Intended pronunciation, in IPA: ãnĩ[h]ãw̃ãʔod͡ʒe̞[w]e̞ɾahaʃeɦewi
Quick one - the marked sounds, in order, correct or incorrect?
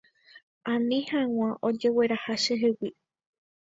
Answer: correct, correct

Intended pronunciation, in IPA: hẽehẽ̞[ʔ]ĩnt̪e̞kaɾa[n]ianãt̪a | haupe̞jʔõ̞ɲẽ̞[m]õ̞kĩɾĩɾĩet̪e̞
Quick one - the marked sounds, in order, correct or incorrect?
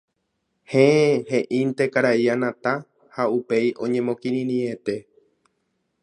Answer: correct, incorrect: none, correct

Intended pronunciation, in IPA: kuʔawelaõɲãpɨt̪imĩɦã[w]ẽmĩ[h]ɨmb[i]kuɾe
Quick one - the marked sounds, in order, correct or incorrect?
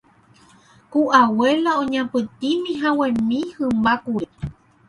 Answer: correct, correct, incorrect: a

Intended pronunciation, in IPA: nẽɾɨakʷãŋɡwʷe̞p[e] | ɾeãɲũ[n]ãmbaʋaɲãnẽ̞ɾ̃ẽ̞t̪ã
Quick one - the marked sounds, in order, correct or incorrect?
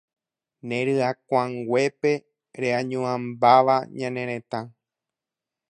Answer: correct, incorrect: none

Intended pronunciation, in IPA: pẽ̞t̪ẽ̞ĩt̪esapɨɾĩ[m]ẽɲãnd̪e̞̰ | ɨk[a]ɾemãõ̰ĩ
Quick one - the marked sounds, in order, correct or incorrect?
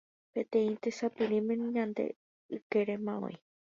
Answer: correct, incorrect: e

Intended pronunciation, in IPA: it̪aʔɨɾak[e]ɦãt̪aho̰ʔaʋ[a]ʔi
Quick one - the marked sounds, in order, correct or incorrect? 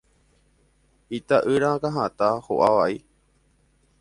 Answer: incorrect: a, correct

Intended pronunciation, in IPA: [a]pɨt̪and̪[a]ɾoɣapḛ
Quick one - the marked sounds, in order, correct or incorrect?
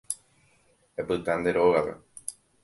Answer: incorrect: e, incorrect: e

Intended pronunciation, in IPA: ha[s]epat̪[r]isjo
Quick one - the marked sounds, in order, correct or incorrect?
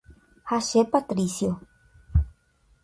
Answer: incorrect: ʃ, incorrect: ɾ

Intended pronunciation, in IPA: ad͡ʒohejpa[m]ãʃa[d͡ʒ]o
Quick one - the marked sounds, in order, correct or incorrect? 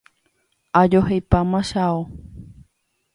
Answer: correct, incorrect: none

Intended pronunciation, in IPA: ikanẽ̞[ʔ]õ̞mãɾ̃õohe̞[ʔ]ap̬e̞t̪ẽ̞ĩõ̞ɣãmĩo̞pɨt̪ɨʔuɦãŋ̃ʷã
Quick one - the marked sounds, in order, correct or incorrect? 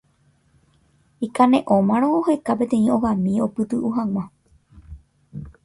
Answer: correct, incorrect: k

